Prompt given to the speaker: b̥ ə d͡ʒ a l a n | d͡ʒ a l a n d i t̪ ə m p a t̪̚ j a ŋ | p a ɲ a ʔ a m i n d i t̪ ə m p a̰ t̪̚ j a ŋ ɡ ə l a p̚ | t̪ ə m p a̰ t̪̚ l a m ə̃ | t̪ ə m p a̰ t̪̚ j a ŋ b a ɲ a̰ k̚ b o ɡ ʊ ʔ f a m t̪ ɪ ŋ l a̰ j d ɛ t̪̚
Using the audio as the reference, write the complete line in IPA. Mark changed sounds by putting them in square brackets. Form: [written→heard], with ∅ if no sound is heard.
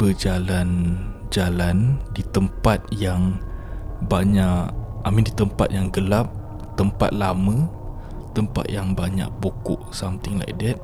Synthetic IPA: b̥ ə d͡ʒ a l a n | d͡ʒ a l a n d i t̪ ə m p a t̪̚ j a ŋ | [p→b] a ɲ a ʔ a m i n d i t̪ ə m p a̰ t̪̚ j a ŋ ɡ ə l a p̚ | t̪ ə m p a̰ t̪̚ l a m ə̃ | t̪ ə m p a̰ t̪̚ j a ŋ b a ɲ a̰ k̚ b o [ɡ→k] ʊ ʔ [f→s] a m t̪ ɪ ŋ l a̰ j d ɛ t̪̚